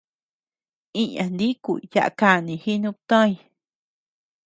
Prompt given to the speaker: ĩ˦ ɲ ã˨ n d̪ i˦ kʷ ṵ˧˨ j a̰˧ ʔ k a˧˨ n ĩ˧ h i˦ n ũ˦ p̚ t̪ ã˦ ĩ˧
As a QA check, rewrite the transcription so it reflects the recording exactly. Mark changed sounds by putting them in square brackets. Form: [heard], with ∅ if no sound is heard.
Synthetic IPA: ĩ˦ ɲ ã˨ n d̪ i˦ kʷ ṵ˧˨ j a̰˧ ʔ k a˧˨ n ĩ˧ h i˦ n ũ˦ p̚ t̪ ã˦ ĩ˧